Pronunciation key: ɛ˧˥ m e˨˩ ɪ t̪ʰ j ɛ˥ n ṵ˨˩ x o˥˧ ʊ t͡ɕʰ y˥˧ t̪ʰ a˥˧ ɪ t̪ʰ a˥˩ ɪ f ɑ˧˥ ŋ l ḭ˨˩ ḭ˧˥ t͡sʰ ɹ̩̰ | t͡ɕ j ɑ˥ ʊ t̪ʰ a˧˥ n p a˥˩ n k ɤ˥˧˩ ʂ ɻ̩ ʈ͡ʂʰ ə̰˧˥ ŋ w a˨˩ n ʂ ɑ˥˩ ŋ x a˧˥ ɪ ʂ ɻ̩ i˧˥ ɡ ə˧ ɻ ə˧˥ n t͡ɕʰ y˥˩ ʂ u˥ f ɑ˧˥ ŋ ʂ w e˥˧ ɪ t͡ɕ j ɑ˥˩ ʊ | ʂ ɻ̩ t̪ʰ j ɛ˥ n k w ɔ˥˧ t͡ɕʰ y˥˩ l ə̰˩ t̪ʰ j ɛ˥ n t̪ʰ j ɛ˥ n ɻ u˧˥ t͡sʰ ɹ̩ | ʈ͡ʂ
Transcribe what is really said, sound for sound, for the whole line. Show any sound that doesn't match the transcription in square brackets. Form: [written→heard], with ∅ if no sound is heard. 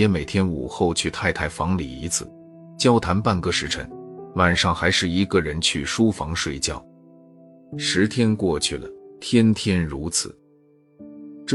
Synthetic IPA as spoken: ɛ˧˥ m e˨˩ ɪ t̪ʰ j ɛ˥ n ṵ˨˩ x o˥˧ ʊ t͡ɕʰ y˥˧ t̪ʰ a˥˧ ɪ t̪ʰ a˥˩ ɪ f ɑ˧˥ ŋ l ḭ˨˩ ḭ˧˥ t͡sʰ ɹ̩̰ | t͡ɕ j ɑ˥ ʊ t̪ʰ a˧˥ n p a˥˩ n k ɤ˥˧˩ ʂ ɻ̩ ʈ͡ʂʰ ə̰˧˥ ŋ w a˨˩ n ʂ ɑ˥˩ ŋ x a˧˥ ɪ ʂ ɻ̩ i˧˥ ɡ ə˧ ɻ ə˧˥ n t͡ɕʰ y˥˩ ʂ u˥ f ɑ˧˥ ŋ ʂ w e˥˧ ɪ t͡ɕ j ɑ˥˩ ʊ | ʂ ɻ̩ t̪ʰ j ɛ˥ n k w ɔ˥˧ t͡ɕʰ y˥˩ l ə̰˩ t̪ʰ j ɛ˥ n t̪ʰ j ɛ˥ n ɻ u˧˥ t͡sʰ ɹ̩ | ʈ͡ʂ